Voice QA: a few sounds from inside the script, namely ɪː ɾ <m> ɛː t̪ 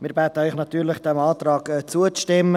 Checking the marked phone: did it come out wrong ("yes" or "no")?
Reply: yes